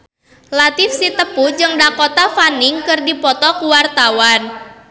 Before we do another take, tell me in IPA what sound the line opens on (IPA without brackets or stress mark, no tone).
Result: l